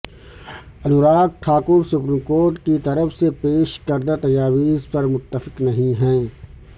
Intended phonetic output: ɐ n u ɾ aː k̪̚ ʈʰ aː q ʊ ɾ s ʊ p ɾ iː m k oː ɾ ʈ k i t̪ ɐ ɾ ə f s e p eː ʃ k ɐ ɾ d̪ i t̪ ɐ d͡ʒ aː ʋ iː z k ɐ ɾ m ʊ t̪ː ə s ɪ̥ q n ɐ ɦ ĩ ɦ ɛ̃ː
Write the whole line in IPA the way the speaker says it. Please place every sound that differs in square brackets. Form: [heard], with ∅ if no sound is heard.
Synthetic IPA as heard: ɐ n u ɾ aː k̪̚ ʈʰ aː [k] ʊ ɾ s ʊ p ɾ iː m k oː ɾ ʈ k i t̪ ɐ ɾ ə f s e p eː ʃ k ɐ ɾ d̪ [a] t̪ ɐ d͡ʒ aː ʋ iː z [p] ɐ ɾ m ʊ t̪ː ə [f] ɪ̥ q n ɐ ɦ ĩ ɦ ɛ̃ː